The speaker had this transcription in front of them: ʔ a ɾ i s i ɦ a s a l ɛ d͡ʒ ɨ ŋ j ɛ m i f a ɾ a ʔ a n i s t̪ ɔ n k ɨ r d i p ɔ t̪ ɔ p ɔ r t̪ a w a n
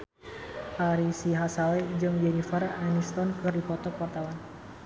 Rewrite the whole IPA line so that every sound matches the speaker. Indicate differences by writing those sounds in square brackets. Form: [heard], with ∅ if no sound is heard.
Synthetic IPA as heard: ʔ a ɾ i s i ɦ a s a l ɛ d͡ʒ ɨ ŋ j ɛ [n] i f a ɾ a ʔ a n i s t̪ ɔ n k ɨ r d i p ɔ t̪ ɔ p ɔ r t̪ a w a n